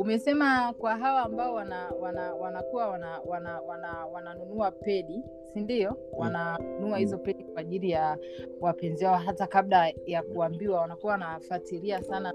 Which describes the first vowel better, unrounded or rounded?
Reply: rounded